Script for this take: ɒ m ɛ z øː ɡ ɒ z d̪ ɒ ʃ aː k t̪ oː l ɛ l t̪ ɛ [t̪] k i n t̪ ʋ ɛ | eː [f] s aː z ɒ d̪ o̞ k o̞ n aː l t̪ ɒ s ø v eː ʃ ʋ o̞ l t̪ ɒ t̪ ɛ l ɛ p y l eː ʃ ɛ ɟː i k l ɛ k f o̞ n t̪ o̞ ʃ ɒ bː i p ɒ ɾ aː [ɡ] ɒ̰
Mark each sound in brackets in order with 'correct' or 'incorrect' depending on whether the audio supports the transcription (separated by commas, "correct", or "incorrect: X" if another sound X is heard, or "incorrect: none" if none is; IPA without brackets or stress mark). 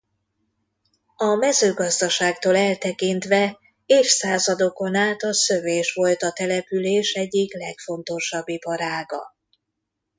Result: incorrect: none, correct, correct